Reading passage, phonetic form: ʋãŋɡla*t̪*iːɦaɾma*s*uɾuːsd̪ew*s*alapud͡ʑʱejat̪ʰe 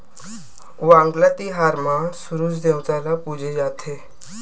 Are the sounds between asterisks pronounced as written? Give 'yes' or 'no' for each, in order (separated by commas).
yes, yes, no